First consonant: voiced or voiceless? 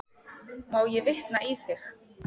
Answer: voiced